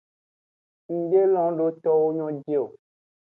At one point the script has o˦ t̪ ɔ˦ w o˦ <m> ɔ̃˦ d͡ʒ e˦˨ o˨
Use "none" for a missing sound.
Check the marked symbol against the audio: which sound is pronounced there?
ɲ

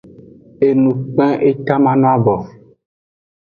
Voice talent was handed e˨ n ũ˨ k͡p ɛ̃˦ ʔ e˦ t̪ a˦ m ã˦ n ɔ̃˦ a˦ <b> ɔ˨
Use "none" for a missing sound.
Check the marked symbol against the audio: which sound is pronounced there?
b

